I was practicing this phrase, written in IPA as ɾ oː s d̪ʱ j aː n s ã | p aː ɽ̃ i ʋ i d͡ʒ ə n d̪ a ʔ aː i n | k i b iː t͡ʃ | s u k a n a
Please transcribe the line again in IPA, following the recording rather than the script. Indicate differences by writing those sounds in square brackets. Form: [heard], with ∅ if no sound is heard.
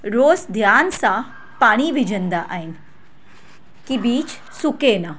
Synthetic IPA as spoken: ɾ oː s d̪ʱ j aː n s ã | p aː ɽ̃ i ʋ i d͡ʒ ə n d̪ a ʔ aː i n | k i b iː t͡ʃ | s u k [e] n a